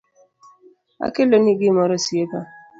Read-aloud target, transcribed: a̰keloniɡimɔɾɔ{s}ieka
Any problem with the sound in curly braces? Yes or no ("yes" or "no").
no